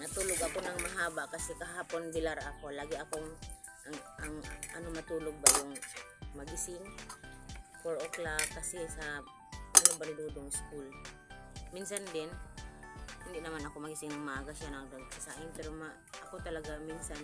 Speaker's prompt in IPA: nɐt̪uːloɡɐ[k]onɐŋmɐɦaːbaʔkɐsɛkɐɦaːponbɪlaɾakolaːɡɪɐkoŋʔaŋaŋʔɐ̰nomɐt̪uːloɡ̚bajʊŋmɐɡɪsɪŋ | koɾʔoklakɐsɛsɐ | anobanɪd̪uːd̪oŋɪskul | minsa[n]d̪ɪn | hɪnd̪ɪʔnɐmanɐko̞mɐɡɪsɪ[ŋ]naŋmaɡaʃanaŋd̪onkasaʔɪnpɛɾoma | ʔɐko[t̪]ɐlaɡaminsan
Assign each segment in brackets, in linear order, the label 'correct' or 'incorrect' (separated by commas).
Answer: correct, correct, correct, correct